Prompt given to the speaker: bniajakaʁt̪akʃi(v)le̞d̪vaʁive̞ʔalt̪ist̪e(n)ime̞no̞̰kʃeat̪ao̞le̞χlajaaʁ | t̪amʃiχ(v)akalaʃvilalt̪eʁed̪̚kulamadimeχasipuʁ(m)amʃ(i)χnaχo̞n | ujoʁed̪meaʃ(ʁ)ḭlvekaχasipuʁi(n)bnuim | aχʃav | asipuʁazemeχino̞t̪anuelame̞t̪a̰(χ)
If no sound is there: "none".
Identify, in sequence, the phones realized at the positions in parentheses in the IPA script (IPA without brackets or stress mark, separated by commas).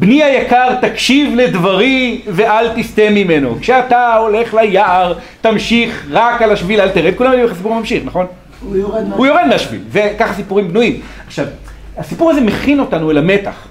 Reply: v, m, ʁ, m, i, v, m, χ